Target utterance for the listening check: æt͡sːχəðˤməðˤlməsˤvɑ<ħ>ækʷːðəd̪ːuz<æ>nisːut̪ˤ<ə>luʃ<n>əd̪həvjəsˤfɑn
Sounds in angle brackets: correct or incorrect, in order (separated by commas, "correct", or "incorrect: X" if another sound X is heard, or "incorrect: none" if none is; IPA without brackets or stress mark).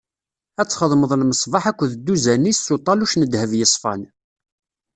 correct, correct, incorrect: ɑ, correct